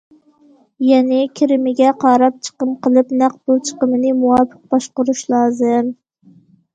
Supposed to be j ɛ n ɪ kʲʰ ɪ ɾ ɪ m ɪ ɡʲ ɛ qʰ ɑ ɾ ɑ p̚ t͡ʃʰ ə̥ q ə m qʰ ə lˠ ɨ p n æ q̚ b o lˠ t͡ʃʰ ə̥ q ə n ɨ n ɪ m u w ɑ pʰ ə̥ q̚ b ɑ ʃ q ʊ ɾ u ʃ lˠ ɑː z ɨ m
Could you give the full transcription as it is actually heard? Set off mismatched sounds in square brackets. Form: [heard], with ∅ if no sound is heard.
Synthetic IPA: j ɛ n ɪ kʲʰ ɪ ɾ ɪ m ɪ ɡʲ ɛ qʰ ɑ ɾ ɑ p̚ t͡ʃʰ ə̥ q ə m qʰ ə lˠ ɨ p n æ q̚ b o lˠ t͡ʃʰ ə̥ q ə [m] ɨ n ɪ m u w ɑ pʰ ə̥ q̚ b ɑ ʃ q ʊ ɾ u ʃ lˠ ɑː z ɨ m